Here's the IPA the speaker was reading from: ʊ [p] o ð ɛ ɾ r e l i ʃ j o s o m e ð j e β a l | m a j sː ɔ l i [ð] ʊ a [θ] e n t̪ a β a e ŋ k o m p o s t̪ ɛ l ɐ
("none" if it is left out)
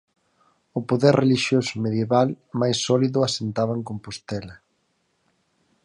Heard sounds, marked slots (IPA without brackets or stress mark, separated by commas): p, ð, s